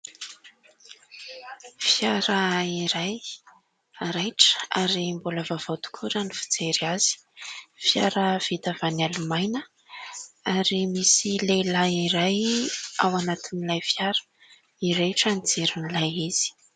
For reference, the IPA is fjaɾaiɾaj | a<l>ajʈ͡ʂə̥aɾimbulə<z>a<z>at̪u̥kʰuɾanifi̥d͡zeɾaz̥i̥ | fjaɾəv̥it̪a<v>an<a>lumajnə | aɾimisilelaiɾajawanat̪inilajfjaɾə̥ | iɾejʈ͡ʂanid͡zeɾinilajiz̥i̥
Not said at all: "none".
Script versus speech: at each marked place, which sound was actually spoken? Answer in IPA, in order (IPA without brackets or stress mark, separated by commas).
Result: ɾ, v, v, v, a